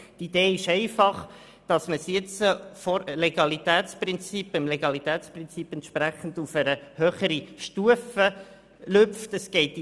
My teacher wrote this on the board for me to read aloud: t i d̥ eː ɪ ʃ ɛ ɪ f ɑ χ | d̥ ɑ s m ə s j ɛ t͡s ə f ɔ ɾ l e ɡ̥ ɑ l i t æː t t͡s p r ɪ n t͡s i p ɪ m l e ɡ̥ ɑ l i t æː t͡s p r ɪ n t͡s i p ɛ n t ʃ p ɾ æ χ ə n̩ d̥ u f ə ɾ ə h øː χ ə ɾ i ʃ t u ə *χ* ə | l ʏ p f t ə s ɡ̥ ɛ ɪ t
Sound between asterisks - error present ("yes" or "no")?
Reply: yes